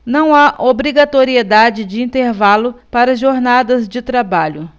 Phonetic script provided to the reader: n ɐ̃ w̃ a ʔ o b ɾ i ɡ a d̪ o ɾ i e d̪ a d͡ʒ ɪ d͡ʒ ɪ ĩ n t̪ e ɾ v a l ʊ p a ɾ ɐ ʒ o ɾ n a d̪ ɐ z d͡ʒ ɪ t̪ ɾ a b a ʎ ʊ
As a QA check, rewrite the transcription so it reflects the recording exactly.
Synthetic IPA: n ɐ̃ w̃ a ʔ o b ɾ i ɡ a t̪ o ɾ i e d̪ a d͡ʒ ɪ d͡ʒ ɪ ĩ n t̪ e ɾ v a l ʊ p a ɾ ɐ ʒ o ɾ n a d̪ ɐ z d͡ʒ ɪ t̪ ɾ a b a ʎ ʊ